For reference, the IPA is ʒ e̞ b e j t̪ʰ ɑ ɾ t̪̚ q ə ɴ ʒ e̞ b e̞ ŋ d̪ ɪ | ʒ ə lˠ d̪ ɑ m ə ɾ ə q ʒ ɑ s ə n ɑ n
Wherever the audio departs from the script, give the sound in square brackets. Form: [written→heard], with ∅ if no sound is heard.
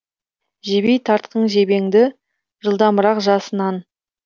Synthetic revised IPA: ʒ e̞ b e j t̪ʰ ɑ ɾ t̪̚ q ə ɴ ʒ e̞ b e̞ ŋ d̪ ɪ | ʒ ə lˠ d̪ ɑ m ə ɾ [ə→ɑ] q ʒ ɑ s ə n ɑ n